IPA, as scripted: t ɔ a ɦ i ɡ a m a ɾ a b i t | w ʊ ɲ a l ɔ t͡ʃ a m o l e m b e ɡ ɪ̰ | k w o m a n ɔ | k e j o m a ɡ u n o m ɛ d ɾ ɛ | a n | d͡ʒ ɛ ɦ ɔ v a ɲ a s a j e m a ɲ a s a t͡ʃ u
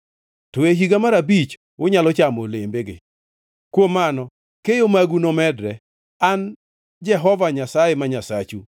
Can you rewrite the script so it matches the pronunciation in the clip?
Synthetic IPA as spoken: t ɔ e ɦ i ɡ a m a ɾ a b i t͡ʃ | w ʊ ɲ a l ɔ t͡ʃ a m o l e m b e ɡ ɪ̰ | k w o m a n ɔ | k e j o m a ɡ u n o m ɛ d ɾ ɛ | a n | d͡ʒ ɛ ɦ ɔ v a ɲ a s a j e m a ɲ a s a t͡ʃ u

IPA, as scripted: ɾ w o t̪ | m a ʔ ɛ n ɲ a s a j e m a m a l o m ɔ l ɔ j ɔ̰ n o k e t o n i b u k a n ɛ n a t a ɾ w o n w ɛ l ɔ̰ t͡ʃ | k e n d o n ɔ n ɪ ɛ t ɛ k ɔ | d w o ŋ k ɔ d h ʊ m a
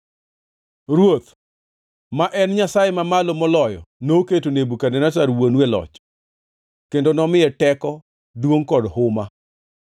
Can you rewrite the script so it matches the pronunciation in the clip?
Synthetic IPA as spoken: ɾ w o t̪ | m a ʔ ɛ n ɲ a s a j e m a m a l o m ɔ l ɔ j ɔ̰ n o k e t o n e b u k a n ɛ n a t a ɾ w o n w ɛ l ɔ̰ t͡ʃ | k e n d o n ɔ m ɪ ɛ t ɛ k ɔ | d w o ŋ k ɔ d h ʊ m a

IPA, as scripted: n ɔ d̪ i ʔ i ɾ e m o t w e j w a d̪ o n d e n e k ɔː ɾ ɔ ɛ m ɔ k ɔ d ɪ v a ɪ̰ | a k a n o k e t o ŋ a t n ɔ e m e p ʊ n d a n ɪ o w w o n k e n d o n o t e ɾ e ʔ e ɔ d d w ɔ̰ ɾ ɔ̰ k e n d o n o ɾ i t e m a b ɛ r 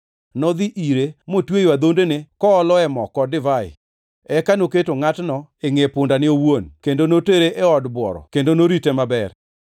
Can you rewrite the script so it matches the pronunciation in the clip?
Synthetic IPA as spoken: n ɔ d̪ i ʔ i ɾ e m o t w e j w a d̪ o n d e n e k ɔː l ɔ ɛ m ɔ k ɔ d ɪ v a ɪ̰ | ɛ k a n o k e t o ŋ a t n ɔ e ŋ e p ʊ n d a n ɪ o w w o n k e n d o n o t e ɾ e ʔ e ɔ d b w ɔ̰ ɾ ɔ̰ k e n d o n o ɾ i t e m a b ɛ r

